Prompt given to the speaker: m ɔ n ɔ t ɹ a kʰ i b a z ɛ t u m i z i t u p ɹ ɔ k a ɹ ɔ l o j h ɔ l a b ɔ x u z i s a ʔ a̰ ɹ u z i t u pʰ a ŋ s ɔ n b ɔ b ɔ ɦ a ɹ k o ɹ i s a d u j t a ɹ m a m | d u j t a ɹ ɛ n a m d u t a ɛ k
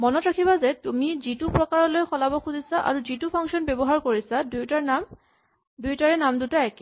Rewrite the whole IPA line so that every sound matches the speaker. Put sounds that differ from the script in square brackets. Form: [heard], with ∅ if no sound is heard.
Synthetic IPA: m ɔ n ɔ t ɹ a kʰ i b a z ɛ t u m i z i t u p ɹ ɔ k a ɹ ɔ l o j [x] ɔ l a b ɔ x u z i s a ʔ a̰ ɹ u z i t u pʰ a ŋ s ɔ n b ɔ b ɔ ɦ a ɹ k o ɹ i s a d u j t a ɹ [n] a m | d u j t a ɹ ɛ n a m d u t a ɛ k